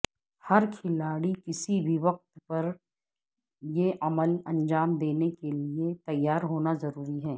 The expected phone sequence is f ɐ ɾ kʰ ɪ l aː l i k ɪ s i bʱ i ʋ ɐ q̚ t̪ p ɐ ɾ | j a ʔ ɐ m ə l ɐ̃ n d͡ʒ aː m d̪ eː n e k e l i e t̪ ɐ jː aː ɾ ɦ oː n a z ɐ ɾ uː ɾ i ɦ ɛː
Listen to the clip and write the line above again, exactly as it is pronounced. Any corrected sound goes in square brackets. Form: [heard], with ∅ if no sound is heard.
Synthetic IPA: [h] ɐ ɾ kʰ ɪ l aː [ɽ] i k ɪ s i bʱ i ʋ ɐ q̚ t̪ p ɐ ɾ | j [e] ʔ ɐ m ə l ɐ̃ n d͡ʒ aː m d̪ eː n e k e l i e t̪ ɐ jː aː ɾ ɦ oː n a z ɐ ɾ uː ɾ i ɦ ɛː